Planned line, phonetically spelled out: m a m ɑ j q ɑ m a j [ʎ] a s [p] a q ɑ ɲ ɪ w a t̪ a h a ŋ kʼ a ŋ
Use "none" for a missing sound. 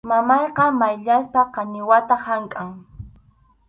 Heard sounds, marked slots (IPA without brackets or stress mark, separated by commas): ʎ, p